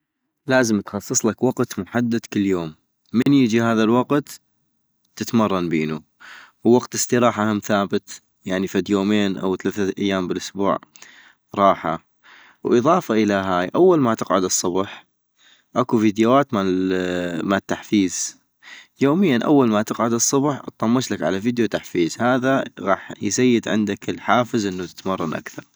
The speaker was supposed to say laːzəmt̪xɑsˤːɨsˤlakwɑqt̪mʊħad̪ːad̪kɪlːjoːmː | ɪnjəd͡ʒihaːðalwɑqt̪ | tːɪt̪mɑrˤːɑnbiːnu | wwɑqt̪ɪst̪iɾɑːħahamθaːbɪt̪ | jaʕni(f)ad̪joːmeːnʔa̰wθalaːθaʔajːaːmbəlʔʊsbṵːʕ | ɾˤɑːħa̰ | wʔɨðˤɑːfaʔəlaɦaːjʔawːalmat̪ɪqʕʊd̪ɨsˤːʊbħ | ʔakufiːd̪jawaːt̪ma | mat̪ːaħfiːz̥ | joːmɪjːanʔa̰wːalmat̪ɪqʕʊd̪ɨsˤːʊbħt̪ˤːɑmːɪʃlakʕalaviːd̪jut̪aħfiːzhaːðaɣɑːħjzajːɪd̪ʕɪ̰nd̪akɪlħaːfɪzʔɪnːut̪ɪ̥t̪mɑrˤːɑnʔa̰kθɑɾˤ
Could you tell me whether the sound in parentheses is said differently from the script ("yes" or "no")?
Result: no